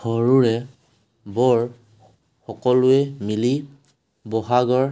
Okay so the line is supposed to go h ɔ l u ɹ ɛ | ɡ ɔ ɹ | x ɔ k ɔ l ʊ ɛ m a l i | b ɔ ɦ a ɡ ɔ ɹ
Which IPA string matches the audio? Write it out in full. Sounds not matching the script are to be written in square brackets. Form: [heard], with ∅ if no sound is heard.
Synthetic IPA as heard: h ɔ [ɹ] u ɹ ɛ | [b] ɔ ɹ | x ɔ k ɔ l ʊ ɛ m [i] l i | b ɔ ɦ a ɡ ɔ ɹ